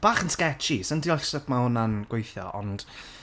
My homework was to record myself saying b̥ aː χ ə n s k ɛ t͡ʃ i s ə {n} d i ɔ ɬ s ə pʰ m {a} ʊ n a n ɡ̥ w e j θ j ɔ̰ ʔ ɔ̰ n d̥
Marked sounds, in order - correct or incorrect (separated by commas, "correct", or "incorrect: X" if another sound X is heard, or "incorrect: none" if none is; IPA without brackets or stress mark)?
correct, correct